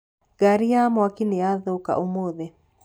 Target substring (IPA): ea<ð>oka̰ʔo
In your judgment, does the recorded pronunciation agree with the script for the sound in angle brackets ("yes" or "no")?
yes